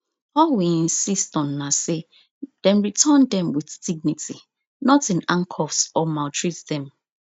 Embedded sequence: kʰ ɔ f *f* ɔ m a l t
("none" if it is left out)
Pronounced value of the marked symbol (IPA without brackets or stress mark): s